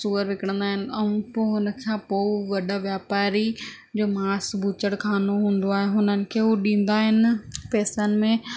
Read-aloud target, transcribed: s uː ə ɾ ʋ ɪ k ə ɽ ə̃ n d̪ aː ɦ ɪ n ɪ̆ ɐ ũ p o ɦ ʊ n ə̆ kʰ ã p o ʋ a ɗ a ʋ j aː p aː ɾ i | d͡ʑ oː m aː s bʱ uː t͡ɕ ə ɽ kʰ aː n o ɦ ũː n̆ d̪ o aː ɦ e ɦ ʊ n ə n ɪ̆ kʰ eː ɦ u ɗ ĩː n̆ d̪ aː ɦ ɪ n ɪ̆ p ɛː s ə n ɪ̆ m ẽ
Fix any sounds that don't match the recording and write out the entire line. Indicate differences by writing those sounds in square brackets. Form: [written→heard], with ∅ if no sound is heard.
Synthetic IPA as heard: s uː ə ɾ ʋ ɪ k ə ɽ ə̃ n d̪ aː ɦ ɪ n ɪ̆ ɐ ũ p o ɦ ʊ n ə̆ kʰ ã p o ʋ [a→ɐ] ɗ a ʋ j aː p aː ɾ i | d͡ʑ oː m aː s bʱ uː t͡ɕ ə ɽ kʰ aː n o ɦ ũː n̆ d̪ o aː ɦ e ɦ ʊ n ə n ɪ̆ kʰ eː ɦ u ɗ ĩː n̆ d̪ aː ɦ ɪ n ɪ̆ p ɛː s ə n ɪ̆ m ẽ